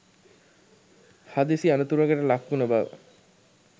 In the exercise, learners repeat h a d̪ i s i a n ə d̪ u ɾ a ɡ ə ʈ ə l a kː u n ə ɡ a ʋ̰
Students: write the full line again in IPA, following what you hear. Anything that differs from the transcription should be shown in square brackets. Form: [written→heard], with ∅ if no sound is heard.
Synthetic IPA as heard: h a d̪ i s i a n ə [d̪→t̪] u ɾ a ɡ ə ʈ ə l a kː u n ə [ɡ→b] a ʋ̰